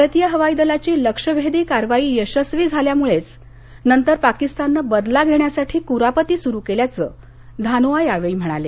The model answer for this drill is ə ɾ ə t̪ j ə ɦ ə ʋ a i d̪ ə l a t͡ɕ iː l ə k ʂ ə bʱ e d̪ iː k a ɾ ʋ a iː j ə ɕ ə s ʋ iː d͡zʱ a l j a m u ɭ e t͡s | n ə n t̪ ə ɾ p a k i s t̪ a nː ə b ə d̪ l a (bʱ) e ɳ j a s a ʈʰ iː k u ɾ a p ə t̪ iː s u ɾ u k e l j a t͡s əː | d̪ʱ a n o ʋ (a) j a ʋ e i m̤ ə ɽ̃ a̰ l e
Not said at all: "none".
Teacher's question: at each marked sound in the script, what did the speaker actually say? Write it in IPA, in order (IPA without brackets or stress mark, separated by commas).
ɡʱ, a